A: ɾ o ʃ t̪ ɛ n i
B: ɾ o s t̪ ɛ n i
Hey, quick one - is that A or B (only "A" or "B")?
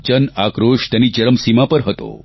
A